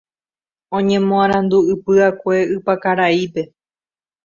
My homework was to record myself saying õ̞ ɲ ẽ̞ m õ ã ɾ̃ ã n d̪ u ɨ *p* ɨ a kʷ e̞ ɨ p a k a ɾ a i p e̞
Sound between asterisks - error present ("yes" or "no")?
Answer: no